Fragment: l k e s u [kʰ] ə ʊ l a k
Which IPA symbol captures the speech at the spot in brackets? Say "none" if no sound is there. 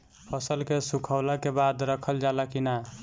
kʰ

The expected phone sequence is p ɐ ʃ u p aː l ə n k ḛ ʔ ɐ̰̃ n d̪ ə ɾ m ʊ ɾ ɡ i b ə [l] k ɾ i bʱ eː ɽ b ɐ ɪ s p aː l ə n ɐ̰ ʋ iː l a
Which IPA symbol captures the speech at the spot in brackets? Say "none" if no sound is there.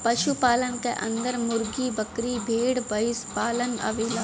none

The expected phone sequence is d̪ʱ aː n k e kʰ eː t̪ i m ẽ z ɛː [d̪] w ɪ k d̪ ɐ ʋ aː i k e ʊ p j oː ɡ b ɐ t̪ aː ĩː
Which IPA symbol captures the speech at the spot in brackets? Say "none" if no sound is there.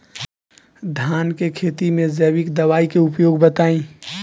none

